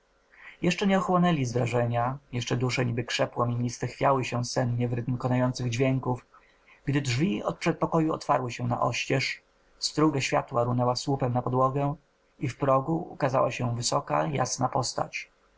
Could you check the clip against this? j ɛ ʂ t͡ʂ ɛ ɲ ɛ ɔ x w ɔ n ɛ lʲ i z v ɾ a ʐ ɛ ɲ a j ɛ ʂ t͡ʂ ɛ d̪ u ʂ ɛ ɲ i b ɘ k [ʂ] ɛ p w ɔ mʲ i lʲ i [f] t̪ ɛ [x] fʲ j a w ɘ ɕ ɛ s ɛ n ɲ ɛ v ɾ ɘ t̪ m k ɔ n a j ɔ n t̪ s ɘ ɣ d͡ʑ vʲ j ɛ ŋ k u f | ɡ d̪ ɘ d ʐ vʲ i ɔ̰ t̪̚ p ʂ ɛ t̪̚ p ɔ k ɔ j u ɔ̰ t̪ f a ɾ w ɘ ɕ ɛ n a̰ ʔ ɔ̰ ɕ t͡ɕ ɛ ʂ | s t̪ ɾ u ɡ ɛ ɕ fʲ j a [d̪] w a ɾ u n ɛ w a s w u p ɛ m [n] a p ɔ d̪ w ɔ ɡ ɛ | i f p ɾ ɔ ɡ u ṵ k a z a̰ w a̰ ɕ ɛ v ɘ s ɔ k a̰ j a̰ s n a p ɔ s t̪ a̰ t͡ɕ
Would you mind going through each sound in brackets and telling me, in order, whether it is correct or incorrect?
correct, incorrect: s, correct, incorrect: t̪, correct

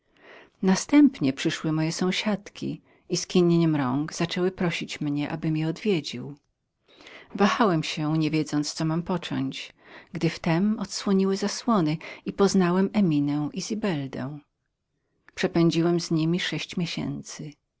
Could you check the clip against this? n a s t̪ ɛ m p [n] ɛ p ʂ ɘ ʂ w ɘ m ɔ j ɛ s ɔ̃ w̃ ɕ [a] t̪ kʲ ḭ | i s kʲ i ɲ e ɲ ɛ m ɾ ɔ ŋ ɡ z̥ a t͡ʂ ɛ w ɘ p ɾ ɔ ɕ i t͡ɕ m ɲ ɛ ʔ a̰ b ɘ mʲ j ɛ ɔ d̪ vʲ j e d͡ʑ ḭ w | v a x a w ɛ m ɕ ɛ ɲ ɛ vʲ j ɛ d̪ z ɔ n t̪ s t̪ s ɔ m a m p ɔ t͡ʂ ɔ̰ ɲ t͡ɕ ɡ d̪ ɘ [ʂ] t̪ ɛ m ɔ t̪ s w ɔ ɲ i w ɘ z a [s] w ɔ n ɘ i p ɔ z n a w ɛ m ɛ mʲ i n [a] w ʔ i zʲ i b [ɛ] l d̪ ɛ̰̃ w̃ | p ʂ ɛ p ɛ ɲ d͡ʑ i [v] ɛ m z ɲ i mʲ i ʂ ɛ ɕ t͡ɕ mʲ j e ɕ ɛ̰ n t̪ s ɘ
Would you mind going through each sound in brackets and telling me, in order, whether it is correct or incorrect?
incorrect: ɲ, correct, incorrect: f, correct, incorrect: ɛ, correct, incorrect: w

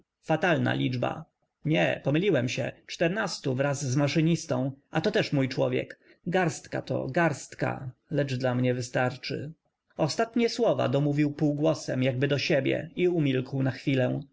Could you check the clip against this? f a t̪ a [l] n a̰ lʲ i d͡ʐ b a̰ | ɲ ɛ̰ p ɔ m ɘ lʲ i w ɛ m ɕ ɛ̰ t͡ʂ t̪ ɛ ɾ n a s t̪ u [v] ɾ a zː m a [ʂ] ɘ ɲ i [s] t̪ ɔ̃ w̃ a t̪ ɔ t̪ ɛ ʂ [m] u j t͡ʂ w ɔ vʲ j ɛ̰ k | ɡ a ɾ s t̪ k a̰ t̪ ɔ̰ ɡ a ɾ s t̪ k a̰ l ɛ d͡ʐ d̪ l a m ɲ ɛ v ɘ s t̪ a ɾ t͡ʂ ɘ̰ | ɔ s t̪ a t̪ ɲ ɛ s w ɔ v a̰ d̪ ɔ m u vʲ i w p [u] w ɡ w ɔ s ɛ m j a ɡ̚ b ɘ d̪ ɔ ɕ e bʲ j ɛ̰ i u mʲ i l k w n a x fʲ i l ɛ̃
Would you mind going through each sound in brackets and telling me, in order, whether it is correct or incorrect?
correct, correct, correct, correct, correct, correct

